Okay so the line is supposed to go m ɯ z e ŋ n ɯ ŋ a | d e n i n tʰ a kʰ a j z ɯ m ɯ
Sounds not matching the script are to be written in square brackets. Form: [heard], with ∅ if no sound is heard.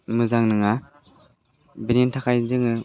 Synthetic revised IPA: m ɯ z [a] ŋ n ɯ ŋ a | [b] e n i n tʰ a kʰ a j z ɯ [ŋ] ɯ

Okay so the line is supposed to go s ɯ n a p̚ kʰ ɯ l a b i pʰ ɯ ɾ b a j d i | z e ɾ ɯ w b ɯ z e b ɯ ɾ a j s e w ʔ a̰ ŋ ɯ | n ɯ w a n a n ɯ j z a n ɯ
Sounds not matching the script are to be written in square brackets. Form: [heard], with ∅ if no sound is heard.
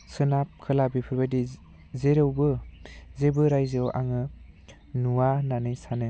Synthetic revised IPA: s ɯ n a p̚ kʰ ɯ l a b i pʰ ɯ ɾ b a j d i | z e ɾ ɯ w b ɯ z e b ɯ ɾ a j [z] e w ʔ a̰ ŋ ɯ | n [u] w a n a n ɯ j [s] a n ɯ

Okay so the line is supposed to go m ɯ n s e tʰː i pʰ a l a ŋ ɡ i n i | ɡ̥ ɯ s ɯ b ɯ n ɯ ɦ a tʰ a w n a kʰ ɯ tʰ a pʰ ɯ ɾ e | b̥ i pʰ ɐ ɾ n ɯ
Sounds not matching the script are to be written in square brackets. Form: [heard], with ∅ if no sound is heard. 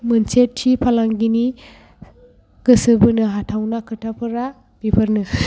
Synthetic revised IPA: m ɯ n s e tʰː i pʰ a l a ŋ ɡ i n i | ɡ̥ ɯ s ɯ b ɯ n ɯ ɦ a tʰ a w n a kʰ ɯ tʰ a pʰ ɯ ɾ [a] | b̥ i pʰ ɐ ɾ n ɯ

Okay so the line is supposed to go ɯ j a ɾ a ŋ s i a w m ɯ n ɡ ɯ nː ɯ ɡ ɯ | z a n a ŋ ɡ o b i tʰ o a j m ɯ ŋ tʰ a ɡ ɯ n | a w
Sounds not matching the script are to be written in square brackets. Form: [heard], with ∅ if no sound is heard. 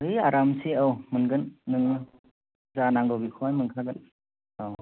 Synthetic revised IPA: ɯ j a ɾ a [m] s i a w m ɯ n ɡ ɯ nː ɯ [ŋ] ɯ | z a n a ŋ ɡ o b i [kʰ] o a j m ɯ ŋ [kʰ] a ɡ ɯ n | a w

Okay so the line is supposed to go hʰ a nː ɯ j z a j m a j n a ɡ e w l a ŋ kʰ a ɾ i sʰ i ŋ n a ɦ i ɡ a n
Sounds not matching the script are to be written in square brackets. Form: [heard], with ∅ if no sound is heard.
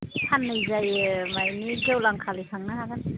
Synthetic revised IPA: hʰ a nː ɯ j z a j m a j n [i] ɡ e w l a ŋ kʰ a [l] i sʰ [a] ŋ n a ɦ [a] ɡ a n

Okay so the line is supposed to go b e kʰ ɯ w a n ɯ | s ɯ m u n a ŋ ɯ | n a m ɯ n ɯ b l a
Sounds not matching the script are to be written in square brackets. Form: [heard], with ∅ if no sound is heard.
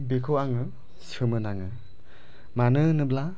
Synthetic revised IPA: b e kʰ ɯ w a [ŋ] ɯ | s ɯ m [ɯ] n a ŋ ɯ | [m] a [n] ɯ n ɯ b l a

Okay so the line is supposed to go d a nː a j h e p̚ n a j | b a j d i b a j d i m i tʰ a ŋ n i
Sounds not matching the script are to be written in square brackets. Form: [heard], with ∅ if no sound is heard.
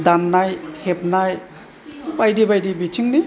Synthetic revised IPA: d a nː a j h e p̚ n a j | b a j d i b a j d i [b] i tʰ [i] ŋ n i

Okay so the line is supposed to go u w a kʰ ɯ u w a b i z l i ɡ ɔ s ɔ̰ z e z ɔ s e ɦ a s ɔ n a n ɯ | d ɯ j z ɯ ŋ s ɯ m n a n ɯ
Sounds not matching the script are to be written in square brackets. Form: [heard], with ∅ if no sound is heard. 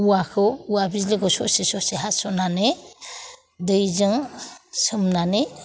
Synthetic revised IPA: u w a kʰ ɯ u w a b i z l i ɡ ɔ s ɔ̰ [s] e [s] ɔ s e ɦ a s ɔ n a n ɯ | d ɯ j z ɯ ŋ s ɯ m n a n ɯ

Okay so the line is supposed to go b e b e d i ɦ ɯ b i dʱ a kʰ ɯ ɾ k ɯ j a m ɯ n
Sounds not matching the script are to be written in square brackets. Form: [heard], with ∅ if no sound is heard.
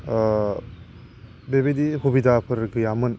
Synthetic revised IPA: b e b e d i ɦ [u] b i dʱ a [pʰ] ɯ ɾ [ɡ] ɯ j a m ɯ n

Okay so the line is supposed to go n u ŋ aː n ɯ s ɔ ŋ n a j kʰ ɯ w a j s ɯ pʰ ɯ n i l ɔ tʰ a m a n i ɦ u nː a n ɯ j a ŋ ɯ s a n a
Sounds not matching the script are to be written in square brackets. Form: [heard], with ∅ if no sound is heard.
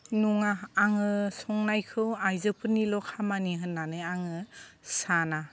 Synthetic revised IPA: n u ŋ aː [ŋ] ɯ s ɔ ŋ n a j kʰ ɯ w a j [z] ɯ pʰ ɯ n i l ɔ [kʰ] a m a n i ɦ [ɯ] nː a n ɯ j a ŋ ɯ s a n a

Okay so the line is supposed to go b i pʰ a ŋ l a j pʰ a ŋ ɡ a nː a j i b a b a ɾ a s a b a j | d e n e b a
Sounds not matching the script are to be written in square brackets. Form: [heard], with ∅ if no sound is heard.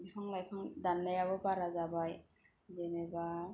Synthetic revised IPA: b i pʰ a ŋ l a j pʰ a ŋ [d] a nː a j [a] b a b a ɾ a [z] a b a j | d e n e b a

